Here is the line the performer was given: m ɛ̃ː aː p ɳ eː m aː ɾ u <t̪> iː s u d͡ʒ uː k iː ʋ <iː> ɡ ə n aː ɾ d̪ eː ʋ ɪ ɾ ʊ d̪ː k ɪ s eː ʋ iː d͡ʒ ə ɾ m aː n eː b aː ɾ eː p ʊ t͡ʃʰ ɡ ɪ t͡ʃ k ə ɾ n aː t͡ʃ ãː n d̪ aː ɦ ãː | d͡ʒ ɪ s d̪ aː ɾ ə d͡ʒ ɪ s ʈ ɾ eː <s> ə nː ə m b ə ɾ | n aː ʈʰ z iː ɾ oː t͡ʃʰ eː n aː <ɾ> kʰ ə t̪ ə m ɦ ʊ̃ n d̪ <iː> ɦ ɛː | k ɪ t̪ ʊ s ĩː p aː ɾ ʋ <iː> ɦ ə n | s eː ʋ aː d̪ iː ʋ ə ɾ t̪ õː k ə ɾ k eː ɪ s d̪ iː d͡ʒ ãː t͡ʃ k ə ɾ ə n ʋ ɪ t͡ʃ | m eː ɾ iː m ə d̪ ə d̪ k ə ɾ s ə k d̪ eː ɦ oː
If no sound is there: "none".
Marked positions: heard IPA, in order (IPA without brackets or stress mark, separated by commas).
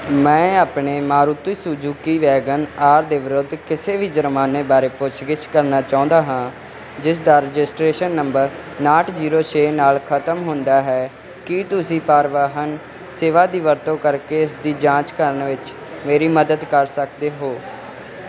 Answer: t̪, ɛː, ʃ, l, aː, aː